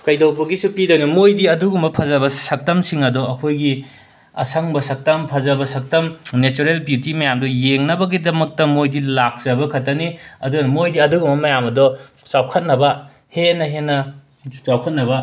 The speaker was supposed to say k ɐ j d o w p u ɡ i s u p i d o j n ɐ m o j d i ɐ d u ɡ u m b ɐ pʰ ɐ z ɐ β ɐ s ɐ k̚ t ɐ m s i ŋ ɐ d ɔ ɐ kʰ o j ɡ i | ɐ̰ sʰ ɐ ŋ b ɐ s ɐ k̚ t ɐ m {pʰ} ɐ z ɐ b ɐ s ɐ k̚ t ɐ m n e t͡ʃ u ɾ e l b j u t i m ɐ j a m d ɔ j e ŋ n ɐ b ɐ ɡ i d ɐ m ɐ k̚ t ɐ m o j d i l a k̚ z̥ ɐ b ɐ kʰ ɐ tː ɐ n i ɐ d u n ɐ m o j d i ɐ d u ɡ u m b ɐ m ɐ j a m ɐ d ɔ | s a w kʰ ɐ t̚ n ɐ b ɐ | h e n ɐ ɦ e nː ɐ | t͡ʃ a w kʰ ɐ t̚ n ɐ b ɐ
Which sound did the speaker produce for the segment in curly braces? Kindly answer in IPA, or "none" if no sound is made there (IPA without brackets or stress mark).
pʰ